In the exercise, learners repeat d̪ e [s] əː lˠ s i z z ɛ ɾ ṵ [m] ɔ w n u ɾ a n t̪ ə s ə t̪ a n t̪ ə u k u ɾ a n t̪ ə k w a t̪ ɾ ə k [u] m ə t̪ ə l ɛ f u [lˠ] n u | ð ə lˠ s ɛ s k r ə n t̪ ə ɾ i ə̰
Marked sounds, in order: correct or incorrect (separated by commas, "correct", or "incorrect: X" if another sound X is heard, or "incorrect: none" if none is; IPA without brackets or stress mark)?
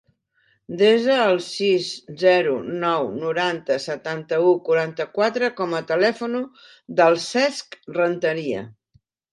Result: incorrect: z, incorrect: n, incorrect: ɔ, incorrect: none